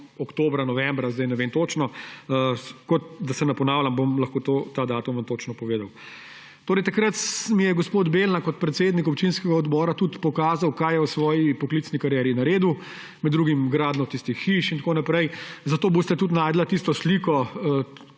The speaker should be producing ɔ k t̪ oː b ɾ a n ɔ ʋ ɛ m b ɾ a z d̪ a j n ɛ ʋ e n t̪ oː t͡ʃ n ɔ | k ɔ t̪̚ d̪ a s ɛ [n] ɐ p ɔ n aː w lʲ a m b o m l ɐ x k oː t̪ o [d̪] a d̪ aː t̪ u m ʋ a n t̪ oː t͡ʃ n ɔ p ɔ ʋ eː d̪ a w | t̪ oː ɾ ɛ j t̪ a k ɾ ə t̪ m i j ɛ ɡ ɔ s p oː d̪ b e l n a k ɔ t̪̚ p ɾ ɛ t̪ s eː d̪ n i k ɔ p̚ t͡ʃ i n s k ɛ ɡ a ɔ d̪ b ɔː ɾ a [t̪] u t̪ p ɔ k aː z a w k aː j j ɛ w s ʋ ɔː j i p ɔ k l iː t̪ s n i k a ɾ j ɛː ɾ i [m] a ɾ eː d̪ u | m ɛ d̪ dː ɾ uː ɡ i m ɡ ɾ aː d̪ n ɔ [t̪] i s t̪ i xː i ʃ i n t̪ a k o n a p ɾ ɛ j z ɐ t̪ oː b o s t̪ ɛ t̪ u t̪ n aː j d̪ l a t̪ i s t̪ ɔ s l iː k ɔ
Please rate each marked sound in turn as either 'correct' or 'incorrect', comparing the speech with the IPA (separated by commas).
correct, incorrect, correct, incorrect, correct